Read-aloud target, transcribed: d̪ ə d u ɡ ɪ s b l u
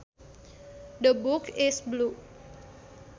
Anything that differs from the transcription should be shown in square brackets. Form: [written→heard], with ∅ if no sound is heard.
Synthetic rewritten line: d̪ ə [d→b] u [ɡ→k] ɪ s b l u